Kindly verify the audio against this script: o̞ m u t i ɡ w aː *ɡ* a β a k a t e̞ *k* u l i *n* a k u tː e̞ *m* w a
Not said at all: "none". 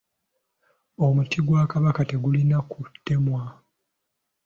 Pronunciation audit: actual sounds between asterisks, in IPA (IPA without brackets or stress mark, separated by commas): k, ɡ, n, m